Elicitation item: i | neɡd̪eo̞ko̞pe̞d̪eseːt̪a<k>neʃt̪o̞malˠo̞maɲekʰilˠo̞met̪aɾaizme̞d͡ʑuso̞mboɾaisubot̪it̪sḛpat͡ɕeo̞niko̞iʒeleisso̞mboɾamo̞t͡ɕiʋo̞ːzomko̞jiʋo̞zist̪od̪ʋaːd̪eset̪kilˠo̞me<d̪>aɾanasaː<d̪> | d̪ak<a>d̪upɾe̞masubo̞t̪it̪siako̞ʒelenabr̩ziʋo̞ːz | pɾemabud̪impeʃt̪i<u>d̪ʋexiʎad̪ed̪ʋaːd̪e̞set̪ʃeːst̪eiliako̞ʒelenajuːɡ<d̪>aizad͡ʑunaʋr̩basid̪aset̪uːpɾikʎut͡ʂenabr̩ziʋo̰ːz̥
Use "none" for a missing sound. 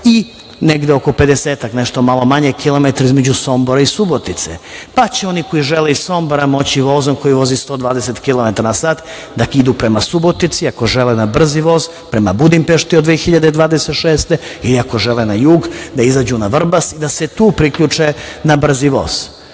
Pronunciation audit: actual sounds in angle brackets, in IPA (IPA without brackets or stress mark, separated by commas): k, t̪, t̪, i, o, d̪